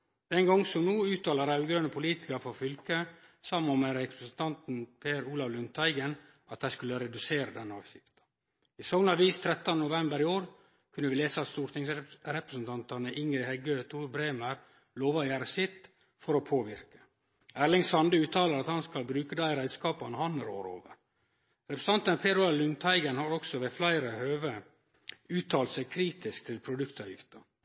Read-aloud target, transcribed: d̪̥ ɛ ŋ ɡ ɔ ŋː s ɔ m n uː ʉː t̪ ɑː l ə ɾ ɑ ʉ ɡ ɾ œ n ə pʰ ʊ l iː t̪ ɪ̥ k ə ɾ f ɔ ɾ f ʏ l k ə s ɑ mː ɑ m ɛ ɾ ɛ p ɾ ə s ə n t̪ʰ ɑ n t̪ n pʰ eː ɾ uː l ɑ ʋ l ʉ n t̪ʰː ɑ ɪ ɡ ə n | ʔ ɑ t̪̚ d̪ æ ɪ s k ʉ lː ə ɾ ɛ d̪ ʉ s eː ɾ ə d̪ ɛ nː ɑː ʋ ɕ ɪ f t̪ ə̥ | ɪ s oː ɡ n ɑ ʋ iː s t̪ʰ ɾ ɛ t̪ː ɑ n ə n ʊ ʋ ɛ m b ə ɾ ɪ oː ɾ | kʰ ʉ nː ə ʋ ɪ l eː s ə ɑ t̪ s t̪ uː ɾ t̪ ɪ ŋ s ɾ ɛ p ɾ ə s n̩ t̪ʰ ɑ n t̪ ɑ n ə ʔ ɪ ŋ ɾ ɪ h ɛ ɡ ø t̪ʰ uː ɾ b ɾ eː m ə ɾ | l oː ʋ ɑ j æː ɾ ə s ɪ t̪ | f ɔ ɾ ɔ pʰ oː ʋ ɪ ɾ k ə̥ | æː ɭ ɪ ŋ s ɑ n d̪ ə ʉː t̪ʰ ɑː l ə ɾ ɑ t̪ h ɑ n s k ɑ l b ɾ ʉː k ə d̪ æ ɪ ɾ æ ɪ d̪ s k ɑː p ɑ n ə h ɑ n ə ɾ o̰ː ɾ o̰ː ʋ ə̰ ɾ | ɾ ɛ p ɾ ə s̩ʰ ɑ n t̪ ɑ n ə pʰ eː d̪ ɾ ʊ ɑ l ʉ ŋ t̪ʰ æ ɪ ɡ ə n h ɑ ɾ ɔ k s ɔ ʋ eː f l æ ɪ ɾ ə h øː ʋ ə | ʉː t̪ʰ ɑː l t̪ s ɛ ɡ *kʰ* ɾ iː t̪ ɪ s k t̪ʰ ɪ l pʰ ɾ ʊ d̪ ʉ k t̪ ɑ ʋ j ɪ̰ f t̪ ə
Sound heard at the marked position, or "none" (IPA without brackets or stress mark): kʰ